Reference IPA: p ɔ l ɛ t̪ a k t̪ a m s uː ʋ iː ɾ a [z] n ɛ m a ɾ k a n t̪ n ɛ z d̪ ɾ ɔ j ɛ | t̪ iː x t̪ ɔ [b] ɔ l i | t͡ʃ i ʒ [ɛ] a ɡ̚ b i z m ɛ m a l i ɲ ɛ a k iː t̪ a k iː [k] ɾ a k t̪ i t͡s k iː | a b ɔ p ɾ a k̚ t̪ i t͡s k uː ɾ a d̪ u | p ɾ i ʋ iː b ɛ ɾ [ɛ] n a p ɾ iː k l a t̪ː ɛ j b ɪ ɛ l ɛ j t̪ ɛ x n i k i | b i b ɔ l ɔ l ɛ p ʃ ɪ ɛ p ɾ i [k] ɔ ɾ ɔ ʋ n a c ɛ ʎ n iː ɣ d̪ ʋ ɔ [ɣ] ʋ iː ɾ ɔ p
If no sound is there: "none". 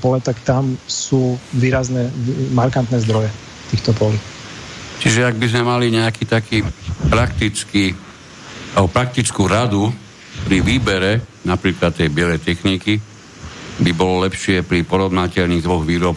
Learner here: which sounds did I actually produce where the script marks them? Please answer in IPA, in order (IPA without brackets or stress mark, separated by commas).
z, p, ɛ, p, ɛ, p, ɣ